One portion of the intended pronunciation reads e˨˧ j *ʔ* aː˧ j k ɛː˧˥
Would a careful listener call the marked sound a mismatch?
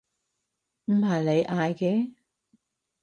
no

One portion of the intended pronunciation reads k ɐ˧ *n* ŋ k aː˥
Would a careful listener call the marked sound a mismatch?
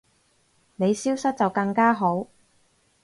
yes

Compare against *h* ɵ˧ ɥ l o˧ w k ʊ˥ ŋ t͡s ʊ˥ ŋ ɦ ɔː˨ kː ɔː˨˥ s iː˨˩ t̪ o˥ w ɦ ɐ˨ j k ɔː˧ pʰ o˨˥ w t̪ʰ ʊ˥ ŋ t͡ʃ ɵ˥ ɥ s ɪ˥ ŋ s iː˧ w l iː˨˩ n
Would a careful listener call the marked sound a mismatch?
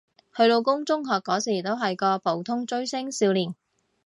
no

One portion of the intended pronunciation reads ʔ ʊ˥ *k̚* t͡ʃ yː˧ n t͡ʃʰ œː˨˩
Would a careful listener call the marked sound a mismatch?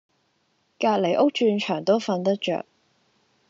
no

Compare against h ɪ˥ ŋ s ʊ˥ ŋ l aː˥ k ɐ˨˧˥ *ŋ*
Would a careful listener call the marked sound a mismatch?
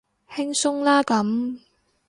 yes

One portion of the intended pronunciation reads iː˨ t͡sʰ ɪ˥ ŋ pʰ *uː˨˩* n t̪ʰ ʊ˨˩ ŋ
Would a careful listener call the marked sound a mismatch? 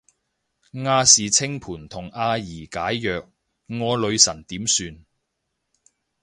no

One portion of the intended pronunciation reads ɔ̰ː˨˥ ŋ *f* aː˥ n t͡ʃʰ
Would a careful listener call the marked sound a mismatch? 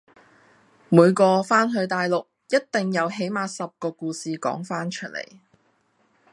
no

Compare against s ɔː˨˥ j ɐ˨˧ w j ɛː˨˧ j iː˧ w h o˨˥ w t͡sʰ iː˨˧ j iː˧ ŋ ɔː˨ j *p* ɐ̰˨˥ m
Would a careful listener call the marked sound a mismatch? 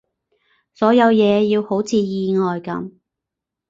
yes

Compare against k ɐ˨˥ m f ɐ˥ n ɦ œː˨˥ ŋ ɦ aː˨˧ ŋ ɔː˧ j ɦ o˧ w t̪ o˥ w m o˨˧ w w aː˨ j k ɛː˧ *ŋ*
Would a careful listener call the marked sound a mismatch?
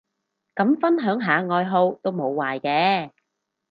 yes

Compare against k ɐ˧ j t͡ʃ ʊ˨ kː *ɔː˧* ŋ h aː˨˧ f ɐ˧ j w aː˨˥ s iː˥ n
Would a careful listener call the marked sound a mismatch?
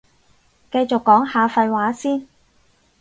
yes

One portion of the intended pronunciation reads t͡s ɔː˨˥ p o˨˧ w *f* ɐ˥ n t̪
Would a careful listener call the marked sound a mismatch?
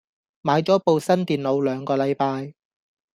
yes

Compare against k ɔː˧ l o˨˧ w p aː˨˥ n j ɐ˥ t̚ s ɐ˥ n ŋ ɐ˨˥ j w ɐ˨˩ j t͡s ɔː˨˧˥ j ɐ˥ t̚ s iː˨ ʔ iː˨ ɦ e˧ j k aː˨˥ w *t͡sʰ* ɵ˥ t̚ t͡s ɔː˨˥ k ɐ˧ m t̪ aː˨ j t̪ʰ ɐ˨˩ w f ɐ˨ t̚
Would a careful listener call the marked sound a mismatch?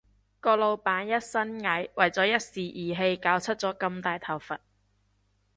no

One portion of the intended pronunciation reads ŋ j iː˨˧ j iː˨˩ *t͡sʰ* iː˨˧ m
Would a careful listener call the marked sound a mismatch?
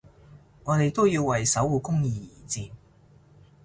yes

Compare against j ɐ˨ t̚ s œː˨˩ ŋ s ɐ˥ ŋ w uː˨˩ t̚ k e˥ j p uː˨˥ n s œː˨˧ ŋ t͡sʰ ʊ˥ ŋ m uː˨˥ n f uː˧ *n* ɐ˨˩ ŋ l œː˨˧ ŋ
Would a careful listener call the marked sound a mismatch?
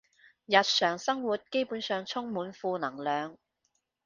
no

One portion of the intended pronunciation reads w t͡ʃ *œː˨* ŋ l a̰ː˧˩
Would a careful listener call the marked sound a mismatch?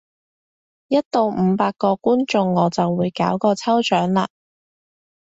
yes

